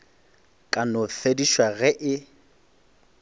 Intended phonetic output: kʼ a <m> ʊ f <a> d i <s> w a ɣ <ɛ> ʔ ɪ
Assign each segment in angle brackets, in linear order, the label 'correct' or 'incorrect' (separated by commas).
incorrect, incorrect, incorrect, correct